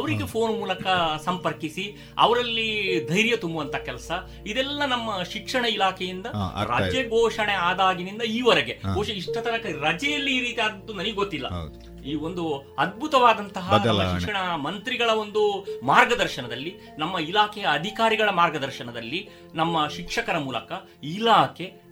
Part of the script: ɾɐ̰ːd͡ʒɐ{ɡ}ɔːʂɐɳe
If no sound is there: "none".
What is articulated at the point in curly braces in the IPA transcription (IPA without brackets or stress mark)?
ɡ